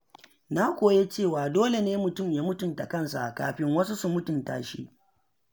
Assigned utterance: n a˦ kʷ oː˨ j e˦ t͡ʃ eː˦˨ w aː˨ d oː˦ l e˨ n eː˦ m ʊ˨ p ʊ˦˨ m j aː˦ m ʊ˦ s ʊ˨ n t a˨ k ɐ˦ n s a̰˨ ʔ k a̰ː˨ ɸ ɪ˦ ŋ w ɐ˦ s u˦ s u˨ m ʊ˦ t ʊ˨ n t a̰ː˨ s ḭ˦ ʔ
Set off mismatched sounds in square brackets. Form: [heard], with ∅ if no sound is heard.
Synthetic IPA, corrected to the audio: n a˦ kʷ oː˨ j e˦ t͡ʃ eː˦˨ w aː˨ d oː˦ l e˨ n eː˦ m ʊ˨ [t] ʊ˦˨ m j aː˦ m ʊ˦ [t] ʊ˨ n t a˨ k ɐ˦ n s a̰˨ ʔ k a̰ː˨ ɸ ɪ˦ ŋ w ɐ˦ s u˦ s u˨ m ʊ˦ t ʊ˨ n t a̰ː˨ [ʃ] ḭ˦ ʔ

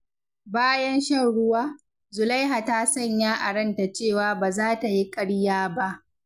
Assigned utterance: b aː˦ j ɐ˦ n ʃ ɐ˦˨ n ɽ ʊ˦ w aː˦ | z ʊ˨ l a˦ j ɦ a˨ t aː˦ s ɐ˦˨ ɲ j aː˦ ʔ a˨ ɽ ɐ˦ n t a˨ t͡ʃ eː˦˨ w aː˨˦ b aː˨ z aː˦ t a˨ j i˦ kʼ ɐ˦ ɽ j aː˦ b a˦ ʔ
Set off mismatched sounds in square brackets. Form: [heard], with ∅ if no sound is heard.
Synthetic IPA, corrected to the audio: b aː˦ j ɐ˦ n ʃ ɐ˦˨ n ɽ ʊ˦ w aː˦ | z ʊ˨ l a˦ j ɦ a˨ t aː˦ s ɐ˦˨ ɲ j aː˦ ʔ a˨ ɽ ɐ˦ n t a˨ t͡ʃ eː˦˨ w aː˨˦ b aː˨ z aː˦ t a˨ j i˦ kʼ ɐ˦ ɽ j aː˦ b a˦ ʔ

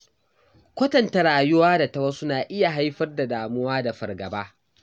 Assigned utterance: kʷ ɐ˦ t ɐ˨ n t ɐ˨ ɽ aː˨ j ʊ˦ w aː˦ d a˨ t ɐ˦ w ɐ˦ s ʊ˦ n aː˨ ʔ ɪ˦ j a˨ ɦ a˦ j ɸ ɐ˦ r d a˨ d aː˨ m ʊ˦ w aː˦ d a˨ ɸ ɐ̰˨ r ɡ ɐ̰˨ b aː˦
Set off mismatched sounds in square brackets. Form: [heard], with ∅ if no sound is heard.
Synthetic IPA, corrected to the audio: kʷ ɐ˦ t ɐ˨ n t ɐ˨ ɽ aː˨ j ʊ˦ w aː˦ d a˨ t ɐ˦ w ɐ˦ s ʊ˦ n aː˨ ʔ ɪ˦ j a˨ ɦ a˦ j ɸ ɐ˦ r d a˨ d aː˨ m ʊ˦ w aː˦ d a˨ ɸ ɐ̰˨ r ɡ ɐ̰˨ b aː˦

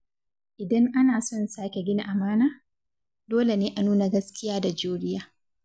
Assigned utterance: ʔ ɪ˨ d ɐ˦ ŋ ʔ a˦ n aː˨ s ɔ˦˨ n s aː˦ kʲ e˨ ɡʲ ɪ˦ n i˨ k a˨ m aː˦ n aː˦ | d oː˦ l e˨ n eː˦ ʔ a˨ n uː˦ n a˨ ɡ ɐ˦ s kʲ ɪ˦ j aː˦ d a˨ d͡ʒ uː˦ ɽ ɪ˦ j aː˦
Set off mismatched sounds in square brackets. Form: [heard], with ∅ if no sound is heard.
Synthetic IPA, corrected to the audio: ʔ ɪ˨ d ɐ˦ ŋ ʔ a˦ n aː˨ s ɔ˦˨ n s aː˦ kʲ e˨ ɡʲ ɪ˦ n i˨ [ʔ] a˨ m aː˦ n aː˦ | d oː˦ l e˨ n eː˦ ʔ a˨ n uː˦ n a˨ ɡ ɐ˦ s kʲ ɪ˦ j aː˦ d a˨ d͡ʒ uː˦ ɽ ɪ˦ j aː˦

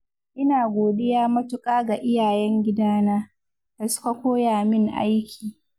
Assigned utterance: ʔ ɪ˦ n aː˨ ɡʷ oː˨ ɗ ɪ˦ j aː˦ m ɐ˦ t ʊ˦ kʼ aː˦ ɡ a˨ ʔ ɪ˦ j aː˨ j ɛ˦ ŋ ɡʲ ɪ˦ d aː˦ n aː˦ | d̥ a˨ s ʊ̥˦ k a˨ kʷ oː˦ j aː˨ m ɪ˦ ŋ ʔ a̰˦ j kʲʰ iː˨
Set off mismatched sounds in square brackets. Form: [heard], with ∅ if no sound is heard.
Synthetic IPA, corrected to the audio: ʔ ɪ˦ n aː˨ ɡʷ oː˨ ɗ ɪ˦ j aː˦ m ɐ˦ t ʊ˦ kʼ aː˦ ɡ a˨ ʔ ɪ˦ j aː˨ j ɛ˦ ŋ ɡʲ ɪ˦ d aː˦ n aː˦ | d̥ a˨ s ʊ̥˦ k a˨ kʷ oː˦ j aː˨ m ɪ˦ ŋ ʔ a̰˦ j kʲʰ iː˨

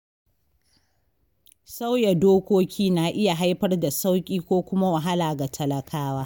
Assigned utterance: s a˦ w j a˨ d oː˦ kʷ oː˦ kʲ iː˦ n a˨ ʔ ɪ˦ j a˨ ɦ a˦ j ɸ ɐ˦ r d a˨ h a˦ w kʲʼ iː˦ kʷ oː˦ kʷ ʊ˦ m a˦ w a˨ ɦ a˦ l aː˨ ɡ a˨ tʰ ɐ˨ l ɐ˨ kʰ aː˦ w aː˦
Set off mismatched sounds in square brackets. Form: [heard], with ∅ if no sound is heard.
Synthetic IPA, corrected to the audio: s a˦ w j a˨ d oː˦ kʷ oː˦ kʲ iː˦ n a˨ ʔ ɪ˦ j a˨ ɦ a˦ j ɸ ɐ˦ r d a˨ [s] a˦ w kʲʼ iː˦ kʷ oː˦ kʷ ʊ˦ m a˦ w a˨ ɦ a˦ l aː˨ ɡ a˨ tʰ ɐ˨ l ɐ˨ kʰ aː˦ w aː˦

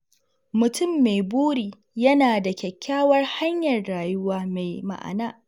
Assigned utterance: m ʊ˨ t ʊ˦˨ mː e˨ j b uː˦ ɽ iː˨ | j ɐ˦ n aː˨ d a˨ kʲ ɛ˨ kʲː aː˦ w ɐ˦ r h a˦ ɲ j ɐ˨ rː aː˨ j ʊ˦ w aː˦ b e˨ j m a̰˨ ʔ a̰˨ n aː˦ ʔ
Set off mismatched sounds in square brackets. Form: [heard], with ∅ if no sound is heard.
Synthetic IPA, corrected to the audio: m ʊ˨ t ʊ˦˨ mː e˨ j b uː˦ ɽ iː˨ | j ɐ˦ n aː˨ d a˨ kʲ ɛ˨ kʲː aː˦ w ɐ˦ r h a˦ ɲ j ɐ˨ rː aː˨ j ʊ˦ w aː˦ [m] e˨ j m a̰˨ ʔ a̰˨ n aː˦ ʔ

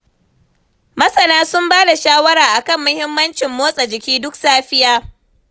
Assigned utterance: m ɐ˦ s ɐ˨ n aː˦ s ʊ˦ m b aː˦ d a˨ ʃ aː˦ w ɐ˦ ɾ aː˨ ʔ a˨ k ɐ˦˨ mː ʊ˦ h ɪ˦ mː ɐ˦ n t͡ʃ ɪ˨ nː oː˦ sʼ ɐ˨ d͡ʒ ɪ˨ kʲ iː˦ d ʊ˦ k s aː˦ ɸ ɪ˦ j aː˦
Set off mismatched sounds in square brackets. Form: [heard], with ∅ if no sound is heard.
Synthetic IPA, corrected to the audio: m ɐ˦ s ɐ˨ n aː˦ s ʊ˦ m b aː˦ d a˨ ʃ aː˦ w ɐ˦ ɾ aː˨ ʔ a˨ k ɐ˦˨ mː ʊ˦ h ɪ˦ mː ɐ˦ n t͡ʃ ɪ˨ [mː] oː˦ sʼ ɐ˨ d͡ʒ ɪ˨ kʲ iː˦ d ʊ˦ k s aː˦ ɸ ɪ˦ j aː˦

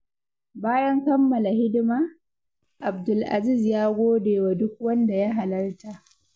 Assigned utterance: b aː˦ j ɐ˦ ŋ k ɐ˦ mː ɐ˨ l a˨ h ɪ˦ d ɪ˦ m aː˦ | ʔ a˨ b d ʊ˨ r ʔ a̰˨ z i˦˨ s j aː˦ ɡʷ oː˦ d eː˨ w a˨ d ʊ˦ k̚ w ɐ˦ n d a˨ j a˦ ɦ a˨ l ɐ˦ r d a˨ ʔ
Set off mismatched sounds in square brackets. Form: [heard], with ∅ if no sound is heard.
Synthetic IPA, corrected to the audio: b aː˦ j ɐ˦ ŋ k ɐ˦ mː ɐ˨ l a˨ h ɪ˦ d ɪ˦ m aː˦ | ʔ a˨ b d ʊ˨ [l] ʔ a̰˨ z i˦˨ [z] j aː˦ ɡʷ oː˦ d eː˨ w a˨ d ʊ˦ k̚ w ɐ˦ n d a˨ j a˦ ɦ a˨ l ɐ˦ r [t] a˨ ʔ

